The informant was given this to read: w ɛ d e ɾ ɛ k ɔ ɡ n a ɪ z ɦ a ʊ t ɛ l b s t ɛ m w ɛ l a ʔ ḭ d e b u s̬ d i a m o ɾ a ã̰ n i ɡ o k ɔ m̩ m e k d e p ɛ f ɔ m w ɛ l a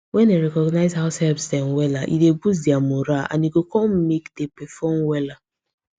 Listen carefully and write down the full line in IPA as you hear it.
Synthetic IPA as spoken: w ɛ n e ɾ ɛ k ɔ ɡ n a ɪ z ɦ a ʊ s ɛ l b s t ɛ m w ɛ l a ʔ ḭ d e b u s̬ d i a m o ɾ a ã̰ n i ɡ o k ɔ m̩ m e k d e p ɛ f ɔ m w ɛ l a

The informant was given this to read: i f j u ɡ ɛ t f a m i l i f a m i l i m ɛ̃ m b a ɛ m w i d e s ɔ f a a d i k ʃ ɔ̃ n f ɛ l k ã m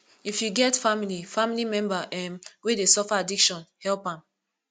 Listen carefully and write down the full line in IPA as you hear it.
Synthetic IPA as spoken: i f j u ɡ ɛ t f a m i l i f a m i l i m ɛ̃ m b a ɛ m w e d e s ɔ f a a d i k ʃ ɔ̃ n h ɛ l p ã m

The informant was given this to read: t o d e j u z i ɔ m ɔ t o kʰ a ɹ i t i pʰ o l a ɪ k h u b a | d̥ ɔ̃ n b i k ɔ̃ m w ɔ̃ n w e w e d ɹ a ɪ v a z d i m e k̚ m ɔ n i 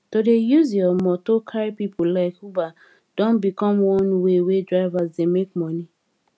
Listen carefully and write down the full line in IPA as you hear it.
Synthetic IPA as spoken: t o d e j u z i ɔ m ɔ t o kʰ a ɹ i p i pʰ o l a ɪ k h u b a | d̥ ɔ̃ n b i k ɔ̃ m w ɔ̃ n w e w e d ɹ a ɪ v a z d e m e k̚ m ɔ n i

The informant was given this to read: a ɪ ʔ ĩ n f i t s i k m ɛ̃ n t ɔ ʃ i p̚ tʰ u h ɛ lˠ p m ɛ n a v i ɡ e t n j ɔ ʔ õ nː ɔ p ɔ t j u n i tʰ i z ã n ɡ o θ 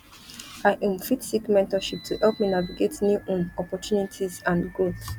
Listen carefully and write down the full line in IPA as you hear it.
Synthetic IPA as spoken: a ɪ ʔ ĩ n f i t s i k m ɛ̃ n t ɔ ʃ i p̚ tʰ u h ɛ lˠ p m i n a v i ɡ e t n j u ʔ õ n ɔ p ɔ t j u n i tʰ i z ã n ɡ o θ

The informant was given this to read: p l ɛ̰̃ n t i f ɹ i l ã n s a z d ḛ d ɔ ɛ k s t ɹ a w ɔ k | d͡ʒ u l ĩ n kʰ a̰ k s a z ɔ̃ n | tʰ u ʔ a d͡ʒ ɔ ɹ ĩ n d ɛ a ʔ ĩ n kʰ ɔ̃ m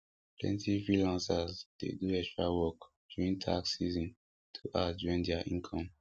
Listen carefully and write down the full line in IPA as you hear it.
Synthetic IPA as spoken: p l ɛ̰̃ n t i f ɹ i l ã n s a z d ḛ d u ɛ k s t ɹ a w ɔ k | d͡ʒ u ɹ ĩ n tʰ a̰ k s i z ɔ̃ n | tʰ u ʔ a d͡ʒ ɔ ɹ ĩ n d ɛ a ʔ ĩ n kʰ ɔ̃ m

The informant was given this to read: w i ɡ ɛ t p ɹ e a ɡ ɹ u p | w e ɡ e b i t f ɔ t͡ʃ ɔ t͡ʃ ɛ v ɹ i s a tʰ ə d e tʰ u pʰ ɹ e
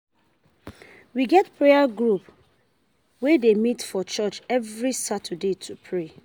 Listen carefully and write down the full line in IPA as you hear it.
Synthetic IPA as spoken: w i ɡ ɛ t p ɹ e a ɡ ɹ u p | w e d e m i t f ɔ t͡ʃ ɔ t͡ʃ ɛ v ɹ i s a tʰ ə d e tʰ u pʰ ɹ e

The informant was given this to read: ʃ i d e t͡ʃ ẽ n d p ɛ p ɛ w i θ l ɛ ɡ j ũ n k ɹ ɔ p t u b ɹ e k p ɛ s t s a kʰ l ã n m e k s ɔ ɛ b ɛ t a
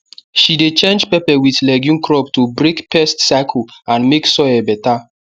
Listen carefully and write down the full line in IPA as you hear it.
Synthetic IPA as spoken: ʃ i d e t͡ʃ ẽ n d͡ʒ p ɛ p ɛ w i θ l ɛ ɡ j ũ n k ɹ ɔ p t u b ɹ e k p ɛ s t s a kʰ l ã n m e k s ɔ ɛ b ɛ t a

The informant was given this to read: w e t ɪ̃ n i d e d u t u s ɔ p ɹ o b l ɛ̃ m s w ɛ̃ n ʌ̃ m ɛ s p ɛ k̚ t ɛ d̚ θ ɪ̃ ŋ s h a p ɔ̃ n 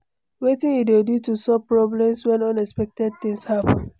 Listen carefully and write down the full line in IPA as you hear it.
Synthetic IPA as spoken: w e t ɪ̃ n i d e d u t u s ɔ p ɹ ɔ b l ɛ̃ m s w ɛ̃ n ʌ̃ n ɛ s p ɛ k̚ t ɛ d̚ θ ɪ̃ ŋ s h a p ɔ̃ n

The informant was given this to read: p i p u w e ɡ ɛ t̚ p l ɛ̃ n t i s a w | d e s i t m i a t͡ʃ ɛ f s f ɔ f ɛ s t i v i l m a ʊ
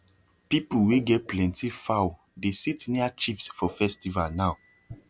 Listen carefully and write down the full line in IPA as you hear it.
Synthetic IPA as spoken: p i p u w e ɡ ɛ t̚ p l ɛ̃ n t i f a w | d e s i t n i a t͡ʃ i f s f ɔ f ɛ s t i v a l n a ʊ

